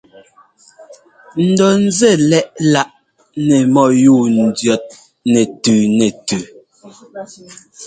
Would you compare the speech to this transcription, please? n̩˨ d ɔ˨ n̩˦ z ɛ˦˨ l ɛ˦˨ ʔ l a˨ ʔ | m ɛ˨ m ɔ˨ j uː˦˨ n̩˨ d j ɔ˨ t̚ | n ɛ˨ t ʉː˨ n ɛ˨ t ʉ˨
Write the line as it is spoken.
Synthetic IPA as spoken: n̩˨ d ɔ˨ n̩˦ z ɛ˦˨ l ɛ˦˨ ʔ l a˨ ʔ | n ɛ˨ m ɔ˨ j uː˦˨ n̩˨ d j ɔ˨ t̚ | n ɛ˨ t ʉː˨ n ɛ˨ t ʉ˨